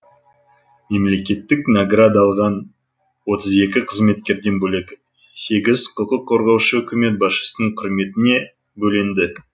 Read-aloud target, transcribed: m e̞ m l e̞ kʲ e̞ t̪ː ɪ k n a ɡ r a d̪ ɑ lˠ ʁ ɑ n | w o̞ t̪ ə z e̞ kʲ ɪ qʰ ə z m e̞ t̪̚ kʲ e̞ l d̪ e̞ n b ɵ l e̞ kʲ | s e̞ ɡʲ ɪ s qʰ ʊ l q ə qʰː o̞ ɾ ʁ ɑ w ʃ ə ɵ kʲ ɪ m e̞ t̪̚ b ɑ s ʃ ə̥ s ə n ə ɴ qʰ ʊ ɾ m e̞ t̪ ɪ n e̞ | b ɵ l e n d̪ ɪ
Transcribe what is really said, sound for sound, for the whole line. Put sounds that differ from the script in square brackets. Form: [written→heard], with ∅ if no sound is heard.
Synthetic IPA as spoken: m e̞ m l e̞ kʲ e̞ t̪ː ɪ k n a ɡ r a d̪ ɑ lˠ ʁ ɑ n | w o̞ t̪ ə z e̞ kʲ ɪ qʰ ə z m e̞ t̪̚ kʲ e̞ [l→ɾ] d̪ e̞ n b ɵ l e̞ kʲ | s e̞ ɡʲ ɪ [s→z] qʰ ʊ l q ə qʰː o̞ ɾ ʁ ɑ w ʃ ə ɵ kʲ ɪ m e̞ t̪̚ b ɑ s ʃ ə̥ s ə n ə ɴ qʰ ʊ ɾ m e̞ t̪ ɪ n e̞ | b ɵ l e n d̪ ɪ